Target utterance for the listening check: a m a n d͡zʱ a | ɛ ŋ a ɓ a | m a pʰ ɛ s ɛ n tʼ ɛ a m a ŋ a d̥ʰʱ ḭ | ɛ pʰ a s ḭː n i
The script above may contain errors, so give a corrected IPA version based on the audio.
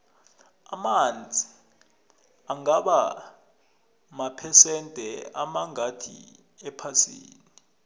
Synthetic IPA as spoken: a m a n d͡zʱ i | a ŋ a ɓ a | m a pʰ ɛ s ɛ n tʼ ɛ a m a ŋ a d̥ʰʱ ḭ | ɛ pʰ a s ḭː n i